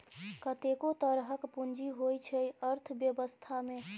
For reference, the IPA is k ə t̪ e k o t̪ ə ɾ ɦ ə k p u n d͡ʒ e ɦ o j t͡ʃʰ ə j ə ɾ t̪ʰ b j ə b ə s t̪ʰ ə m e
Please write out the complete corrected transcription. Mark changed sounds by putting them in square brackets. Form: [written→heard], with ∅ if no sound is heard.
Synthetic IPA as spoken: k ə t̪ e k o t̪ ə ɾ ɦ ə k p u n d͡ʒ [e→i] ɦ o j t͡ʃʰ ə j ə ɾ t̪ʰ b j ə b ə s t̪ʰ [ə→a] m e